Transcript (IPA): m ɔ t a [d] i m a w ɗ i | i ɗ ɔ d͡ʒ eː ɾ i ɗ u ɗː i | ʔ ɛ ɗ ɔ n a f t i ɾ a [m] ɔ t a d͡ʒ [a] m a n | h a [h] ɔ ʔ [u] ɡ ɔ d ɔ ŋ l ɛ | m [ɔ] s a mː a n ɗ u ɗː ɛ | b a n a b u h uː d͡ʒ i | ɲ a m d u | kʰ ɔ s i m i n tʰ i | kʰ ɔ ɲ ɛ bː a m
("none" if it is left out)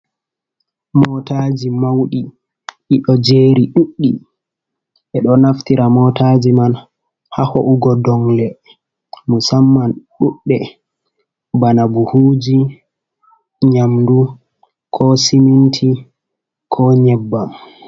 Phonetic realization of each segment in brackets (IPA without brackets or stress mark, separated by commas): d͡ʒ, m, i, h, u, u